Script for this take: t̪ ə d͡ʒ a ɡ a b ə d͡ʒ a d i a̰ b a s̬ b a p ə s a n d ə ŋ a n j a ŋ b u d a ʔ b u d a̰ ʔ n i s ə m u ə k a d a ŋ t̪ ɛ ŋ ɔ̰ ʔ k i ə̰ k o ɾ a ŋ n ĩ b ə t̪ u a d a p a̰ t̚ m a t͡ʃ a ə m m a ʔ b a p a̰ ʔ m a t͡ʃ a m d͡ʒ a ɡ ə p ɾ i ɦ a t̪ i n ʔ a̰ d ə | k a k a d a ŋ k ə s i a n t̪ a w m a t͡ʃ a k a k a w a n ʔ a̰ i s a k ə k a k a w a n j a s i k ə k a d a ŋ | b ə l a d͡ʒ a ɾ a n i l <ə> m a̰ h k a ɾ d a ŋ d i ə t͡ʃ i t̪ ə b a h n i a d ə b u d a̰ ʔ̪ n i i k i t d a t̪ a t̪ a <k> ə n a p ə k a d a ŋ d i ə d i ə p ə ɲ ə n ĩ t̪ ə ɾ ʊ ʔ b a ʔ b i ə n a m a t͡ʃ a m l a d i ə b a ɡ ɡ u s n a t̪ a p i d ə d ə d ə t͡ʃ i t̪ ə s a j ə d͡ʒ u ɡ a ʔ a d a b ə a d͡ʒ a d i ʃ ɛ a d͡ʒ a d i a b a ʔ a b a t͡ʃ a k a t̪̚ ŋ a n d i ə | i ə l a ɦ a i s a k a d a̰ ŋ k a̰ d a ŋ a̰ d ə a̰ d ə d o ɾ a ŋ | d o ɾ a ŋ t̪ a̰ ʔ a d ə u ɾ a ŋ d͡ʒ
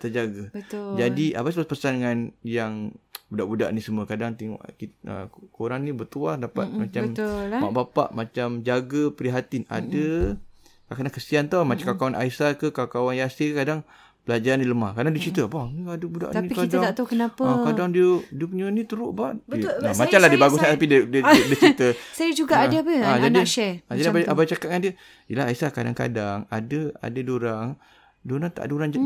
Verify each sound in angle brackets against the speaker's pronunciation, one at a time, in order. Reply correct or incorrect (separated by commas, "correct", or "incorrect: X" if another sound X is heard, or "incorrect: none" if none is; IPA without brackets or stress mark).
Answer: correct, correct